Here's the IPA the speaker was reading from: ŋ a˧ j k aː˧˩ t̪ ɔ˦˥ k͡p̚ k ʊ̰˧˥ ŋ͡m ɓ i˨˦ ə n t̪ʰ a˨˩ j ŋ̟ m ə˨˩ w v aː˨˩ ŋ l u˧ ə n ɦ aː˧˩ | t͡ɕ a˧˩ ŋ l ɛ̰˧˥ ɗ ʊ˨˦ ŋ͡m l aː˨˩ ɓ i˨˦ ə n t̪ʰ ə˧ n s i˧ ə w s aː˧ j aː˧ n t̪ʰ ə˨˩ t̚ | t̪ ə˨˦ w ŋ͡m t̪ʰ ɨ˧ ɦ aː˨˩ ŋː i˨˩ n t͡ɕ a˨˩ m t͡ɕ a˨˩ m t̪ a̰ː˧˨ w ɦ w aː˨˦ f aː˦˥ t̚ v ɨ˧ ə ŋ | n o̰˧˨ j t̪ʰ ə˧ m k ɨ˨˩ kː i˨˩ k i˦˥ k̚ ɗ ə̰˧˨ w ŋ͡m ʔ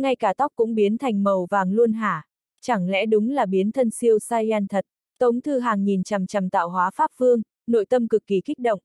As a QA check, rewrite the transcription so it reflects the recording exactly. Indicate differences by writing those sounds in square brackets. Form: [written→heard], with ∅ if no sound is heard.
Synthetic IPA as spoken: ŋ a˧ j k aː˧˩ t̪ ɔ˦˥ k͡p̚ k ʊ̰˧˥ ŋ͡m ɓ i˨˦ ə n t̪ʰ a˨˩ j ŋ̟ m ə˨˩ w v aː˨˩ ŋ l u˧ ə n ɦ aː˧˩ | t͡ɕ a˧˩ ŋ l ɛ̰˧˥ ɗ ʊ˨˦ ŋ͡m l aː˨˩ ɓ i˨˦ ə n t̪ʰ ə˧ n s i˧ ə w s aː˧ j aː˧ n t̪ʰ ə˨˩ t̚ | t̪ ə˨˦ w ŋ͡m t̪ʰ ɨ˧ ɦ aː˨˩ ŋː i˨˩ n t͡ɕ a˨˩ m t͡ɕ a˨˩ m t̪ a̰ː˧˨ w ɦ w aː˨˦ f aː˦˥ [t̚→p̚] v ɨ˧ ə ŋ | n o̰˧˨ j [t̪ʰ→t̪] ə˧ m k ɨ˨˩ kː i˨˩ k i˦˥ k̚ ɗ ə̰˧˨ w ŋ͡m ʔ

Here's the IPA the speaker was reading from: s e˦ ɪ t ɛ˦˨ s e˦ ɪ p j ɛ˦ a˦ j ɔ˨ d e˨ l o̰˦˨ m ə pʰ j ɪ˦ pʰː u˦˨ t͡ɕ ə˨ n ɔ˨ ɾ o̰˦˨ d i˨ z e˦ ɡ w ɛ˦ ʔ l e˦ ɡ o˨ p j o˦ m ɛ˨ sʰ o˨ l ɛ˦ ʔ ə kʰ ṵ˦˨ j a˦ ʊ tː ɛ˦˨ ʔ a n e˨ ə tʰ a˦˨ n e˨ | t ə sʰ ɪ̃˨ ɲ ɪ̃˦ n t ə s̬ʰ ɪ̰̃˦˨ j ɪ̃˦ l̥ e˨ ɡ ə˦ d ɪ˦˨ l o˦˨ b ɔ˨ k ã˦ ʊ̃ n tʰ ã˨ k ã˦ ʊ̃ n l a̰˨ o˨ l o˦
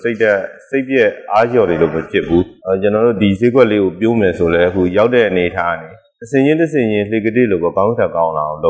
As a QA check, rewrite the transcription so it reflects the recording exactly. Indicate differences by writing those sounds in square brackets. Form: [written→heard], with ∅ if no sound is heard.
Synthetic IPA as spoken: s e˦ ɪ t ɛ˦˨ s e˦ ɪ p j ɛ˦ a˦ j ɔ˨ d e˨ l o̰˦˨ m ə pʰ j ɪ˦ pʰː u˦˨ t͡ɕ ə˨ n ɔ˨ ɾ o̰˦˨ d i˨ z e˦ ɡ w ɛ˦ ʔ l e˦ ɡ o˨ p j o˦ m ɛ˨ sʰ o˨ l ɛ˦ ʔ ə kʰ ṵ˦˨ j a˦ ʊ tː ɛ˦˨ ʔ [a→ə] n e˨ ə tʰ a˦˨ n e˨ | t ə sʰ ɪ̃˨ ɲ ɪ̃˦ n t ə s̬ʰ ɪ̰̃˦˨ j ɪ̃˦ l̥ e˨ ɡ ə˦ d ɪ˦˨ l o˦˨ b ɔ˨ k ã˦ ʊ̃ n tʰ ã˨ k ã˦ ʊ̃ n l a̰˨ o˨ l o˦

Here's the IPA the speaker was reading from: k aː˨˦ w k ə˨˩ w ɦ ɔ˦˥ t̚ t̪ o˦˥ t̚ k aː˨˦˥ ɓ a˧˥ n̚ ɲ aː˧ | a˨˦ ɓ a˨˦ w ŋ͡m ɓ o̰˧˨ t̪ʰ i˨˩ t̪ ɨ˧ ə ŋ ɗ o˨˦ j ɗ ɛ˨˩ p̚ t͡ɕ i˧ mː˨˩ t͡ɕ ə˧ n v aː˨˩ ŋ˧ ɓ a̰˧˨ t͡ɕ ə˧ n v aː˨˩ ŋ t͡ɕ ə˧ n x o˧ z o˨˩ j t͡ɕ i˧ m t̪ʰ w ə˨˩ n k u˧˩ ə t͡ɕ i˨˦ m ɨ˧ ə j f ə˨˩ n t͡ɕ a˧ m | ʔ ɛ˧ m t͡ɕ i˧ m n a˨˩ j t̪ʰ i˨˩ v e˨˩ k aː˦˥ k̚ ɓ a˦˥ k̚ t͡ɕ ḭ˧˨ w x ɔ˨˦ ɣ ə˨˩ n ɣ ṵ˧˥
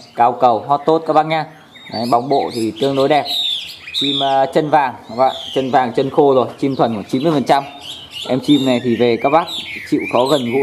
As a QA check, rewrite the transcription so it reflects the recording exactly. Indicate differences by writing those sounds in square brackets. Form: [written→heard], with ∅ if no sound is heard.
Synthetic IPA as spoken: k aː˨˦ w k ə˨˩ w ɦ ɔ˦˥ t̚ t̪ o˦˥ t̚ k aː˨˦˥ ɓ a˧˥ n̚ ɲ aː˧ | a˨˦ ɓ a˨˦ w ŋ͡m ɓ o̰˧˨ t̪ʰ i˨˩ t̪ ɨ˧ ə ŋ ɗ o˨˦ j ɗ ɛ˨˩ p̚ t͡ɕ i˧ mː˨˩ t͡ɕ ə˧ n v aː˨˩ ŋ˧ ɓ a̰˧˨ t͡ɕ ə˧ n v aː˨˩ ŋ t͡ɕ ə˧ n x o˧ z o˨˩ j t͡ɕ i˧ m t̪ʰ w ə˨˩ n k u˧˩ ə t͡ɕ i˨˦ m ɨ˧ ə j f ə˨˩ n t͡ɕ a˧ m | ʔ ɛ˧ m t͡ɕ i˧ m n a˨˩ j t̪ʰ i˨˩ v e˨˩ k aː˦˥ k̚ ɓ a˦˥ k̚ t͡ɕ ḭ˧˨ w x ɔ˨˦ ɣ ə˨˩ n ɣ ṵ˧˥

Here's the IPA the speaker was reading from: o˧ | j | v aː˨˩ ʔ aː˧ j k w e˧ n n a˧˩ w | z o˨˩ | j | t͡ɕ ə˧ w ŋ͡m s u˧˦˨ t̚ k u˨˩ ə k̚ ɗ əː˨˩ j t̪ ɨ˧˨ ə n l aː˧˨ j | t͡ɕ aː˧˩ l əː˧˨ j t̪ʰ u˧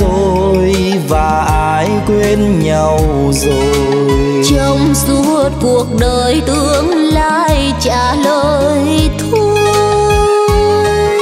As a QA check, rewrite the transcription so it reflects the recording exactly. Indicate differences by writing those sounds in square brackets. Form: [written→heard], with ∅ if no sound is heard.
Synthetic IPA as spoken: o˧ | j | v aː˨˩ ʔ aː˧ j k w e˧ n [n→ɲ] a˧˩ w | z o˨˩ | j | t͡ɕ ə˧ w ŋ͡m s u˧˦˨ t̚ k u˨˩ ə k̚ ɗ əː˨˩ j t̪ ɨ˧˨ ə [n→ŋ] l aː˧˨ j | t͡ɕ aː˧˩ l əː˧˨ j t̪ʰ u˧

